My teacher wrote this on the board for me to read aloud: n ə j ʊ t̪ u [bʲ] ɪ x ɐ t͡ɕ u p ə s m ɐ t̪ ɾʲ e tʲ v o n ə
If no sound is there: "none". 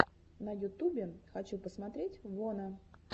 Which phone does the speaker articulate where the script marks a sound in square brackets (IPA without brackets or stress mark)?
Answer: bʲ